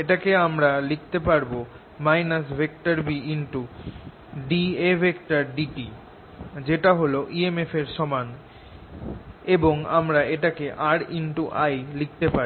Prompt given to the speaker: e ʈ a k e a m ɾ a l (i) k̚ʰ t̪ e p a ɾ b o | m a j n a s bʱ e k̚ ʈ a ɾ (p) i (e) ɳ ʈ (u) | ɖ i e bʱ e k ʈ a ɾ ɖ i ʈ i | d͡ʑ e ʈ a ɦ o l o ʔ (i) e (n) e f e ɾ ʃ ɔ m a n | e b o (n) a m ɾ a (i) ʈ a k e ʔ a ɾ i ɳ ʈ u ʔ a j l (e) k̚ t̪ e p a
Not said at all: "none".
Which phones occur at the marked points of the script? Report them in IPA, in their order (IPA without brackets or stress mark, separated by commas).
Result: i, b, i, u, i, m, ŋ, e, i